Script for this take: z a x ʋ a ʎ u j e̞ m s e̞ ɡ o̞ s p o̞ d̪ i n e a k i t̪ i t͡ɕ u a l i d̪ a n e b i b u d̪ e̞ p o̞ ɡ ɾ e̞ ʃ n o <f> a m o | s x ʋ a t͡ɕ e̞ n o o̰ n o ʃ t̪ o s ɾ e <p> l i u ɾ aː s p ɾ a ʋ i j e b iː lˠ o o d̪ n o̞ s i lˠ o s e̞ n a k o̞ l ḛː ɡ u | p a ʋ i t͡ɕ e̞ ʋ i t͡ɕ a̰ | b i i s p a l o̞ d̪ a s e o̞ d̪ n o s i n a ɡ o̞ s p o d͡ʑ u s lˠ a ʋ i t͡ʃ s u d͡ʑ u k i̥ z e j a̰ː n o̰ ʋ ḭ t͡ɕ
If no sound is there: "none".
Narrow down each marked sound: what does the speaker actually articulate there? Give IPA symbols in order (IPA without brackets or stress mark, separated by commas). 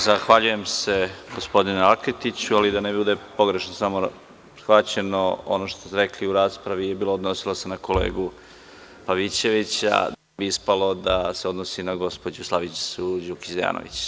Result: s, k